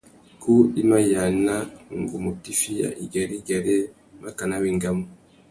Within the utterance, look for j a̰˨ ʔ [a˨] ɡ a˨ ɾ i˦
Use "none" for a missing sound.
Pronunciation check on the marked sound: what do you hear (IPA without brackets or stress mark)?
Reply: i˨